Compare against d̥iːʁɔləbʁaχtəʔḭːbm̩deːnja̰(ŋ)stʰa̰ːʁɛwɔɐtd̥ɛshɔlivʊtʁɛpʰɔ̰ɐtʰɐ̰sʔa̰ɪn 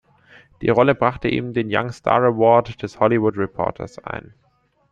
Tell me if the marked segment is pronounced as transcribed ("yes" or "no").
yes